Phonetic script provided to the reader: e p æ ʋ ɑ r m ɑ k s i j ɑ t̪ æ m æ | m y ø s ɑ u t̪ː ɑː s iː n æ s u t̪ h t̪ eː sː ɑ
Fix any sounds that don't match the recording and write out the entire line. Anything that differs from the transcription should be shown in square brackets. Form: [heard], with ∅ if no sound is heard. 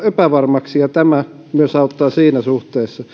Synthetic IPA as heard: e p æ ʋ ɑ r m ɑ k s i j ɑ t̪ æ m æ | m y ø s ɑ u t̪ː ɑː s iː n æ s u [∅] h t̪ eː sː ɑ